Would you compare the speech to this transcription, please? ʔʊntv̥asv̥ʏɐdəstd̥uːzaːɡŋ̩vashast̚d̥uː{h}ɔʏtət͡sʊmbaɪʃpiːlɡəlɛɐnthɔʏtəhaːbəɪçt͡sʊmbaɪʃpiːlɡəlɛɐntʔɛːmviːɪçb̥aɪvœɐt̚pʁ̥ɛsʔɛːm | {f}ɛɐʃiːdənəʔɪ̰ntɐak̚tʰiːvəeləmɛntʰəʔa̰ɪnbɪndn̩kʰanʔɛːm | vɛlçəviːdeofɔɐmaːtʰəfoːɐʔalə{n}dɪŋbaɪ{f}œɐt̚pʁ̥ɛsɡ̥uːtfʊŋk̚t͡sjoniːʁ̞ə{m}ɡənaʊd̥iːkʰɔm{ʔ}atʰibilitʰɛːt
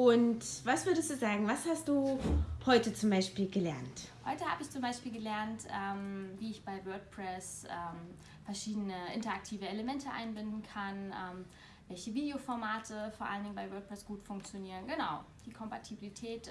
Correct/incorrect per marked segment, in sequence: correct, correct, correct, incorrect: v, incorrect: n, incorrect: p

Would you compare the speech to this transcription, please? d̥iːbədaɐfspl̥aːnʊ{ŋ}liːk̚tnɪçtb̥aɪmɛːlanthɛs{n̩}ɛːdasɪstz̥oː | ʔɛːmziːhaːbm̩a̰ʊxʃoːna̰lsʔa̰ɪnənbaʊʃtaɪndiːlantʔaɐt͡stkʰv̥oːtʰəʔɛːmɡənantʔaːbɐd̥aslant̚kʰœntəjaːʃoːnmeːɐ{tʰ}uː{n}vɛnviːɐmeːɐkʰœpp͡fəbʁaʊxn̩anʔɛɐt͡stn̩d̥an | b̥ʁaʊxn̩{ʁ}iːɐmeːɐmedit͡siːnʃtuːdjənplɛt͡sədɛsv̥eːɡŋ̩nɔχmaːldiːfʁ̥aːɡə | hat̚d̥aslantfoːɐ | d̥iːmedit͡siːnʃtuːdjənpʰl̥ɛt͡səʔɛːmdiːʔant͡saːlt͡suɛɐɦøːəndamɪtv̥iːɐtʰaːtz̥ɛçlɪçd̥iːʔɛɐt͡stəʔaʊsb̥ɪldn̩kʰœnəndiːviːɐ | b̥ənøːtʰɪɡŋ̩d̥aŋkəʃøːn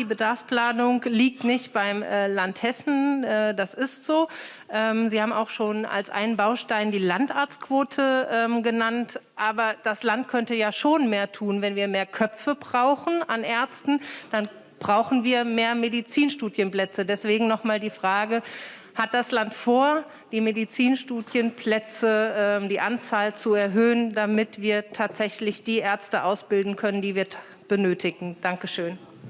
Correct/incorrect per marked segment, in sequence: correct, correct, correct, correct, incorrect: v

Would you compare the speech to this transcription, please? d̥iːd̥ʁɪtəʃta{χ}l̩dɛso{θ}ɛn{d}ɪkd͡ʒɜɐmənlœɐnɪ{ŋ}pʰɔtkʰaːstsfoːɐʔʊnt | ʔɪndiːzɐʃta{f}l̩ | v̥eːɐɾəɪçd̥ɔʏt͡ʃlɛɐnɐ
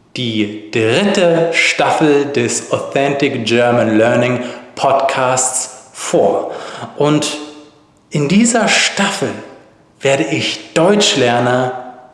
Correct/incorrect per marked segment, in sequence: incorrect: f, correct, incorrect: t, correct, correct

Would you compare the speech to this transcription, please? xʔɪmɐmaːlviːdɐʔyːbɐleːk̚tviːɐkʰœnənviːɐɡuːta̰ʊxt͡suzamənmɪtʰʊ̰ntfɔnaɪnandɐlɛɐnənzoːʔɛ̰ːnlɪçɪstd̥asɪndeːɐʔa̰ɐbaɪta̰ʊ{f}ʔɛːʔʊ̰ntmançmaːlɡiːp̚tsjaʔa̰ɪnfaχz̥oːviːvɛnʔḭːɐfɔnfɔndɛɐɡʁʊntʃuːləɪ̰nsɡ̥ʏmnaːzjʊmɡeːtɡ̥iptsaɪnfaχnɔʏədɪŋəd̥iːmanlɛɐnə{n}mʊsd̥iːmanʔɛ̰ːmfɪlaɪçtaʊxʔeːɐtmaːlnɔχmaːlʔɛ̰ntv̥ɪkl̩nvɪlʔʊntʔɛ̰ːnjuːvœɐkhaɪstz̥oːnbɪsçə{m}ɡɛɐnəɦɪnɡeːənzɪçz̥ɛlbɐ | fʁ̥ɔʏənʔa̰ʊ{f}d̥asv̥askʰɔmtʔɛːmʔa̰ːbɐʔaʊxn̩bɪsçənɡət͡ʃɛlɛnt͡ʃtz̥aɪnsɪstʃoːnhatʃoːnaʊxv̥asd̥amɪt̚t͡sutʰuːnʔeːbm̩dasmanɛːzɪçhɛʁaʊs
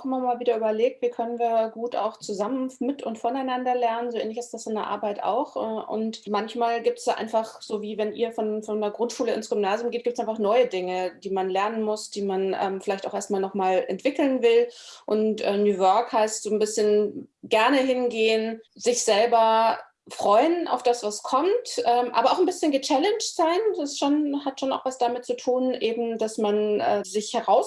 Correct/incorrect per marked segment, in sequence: incorrect: x, correct, incorrect: n, correct

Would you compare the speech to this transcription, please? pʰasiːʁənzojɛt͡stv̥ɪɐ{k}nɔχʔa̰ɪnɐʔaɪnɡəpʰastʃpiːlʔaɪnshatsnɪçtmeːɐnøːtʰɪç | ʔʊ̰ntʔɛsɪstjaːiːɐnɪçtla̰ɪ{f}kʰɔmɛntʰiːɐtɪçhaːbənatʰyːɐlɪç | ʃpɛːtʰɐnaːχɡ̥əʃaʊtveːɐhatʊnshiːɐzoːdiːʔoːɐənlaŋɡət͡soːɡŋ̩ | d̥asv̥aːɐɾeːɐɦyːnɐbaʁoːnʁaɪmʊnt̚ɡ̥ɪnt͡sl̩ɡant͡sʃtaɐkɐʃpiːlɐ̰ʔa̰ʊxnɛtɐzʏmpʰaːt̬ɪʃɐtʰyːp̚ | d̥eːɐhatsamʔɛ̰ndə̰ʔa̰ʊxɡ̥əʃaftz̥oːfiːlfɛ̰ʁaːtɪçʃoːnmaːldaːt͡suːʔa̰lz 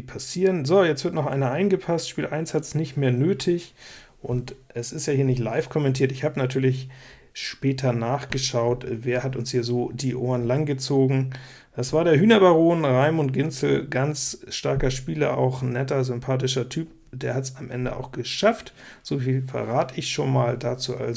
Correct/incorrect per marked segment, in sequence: incorrect: t, correct

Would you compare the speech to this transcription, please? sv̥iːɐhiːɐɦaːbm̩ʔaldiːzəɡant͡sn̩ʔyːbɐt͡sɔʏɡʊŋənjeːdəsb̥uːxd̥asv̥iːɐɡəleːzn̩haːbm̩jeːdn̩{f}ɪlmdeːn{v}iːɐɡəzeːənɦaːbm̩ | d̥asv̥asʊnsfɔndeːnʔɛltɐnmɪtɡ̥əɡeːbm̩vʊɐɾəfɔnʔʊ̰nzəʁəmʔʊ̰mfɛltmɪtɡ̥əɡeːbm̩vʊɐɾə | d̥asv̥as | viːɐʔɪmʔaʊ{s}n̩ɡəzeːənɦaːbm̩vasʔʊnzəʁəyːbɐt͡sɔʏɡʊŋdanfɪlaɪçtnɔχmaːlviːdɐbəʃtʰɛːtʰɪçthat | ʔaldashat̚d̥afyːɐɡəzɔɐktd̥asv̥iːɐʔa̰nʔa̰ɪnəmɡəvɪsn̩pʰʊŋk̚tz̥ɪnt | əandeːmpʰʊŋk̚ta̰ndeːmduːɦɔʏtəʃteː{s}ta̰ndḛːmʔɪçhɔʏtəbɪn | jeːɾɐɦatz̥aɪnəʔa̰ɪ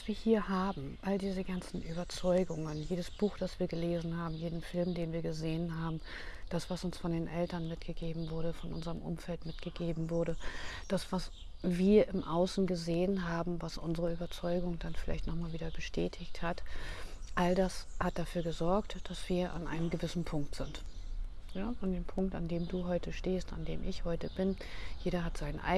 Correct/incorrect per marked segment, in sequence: correct, correct, correct, correct

